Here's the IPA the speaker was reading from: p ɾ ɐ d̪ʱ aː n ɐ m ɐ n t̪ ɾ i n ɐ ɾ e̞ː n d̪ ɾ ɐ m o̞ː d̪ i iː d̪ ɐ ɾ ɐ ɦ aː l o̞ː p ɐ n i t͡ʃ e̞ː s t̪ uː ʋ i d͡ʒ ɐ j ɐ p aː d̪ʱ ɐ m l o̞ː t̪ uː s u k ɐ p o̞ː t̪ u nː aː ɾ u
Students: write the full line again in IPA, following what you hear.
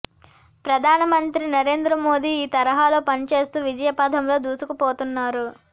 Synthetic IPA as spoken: p ɾ ɐ d̪ʱ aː n ɐ m ɐ n t̪ ɾ i n ɐ ɾ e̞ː n d̪ ɾ ɐ m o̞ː d̪ i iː t̪ ɐ ɾ ɐ ɦ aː l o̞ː p ɐ n i t͡ʃ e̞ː s t̪ uː ʋ i d͡ʒ ɐ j ɐ p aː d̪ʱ ɐ m l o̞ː d̪ uː s u k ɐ p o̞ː t̪ u nː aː ɾ u